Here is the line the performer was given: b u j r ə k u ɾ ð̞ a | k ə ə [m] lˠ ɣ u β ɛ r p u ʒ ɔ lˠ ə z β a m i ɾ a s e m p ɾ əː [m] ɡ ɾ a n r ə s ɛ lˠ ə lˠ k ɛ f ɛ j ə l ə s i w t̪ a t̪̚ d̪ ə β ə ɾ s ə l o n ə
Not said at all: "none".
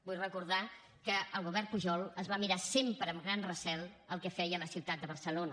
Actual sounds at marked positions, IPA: none, m

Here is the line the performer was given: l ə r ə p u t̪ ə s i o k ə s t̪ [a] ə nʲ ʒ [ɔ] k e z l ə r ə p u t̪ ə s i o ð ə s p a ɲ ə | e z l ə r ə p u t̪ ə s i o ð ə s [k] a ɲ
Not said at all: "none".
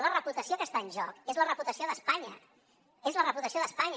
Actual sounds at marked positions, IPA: a, ɔ, p

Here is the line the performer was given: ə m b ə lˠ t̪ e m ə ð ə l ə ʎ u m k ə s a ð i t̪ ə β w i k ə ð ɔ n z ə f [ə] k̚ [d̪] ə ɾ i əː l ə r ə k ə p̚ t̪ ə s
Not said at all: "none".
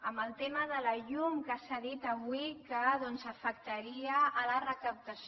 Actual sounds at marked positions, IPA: ə, t̪

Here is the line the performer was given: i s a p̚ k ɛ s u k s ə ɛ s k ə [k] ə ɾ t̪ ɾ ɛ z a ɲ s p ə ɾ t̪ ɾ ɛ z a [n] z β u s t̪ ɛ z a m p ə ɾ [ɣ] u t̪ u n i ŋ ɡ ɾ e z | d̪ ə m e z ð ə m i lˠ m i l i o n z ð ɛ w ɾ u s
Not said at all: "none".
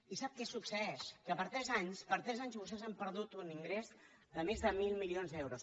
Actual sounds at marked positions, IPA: p, ɲ, ð

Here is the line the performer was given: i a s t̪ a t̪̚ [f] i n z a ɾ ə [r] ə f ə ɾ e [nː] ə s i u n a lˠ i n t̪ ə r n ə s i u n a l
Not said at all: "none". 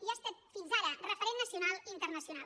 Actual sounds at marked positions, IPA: f, r, nː

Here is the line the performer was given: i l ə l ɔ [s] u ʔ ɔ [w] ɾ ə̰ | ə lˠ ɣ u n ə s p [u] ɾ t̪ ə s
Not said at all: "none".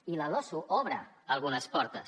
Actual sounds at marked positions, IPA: s, β, ɔ

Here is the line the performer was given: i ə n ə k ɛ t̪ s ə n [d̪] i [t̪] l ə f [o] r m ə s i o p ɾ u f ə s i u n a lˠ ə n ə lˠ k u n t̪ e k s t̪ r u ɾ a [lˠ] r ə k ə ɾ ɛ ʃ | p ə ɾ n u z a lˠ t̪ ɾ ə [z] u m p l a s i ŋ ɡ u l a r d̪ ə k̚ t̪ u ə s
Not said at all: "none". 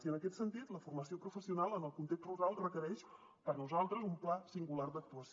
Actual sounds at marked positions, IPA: t̪, t̪, u, lˠ, z

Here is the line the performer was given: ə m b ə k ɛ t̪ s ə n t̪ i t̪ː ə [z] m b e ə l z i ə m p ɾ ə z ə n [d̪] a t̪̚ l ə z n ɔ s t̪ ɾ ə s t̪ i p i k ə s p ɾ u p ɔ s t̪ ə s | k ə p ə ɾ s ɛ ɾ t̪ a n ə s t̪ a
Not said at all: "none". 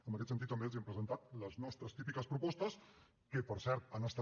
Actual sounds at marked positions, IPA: none, t̪

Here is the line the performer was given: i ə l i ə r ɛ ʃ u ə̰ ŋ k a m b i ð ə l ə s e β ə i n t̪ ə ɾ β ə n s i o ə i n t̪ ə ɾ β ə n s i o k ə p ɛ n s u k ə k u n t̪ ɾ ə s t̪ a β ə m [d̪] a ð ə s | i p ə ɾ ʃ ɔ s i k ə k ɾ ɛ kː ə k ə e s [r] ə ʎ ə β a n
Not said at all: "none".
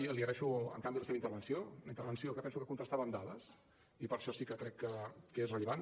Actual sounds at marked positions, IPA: d̪, r

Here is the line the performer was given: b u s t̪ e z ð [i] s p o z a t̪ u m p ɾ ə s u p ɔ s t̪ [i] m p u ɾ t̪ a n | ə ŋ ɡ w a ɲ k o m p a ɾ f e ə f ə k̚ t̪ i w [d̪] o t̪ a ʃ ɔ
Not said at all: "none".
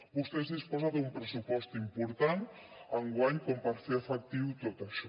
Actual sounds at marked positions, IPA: i, i, t̪

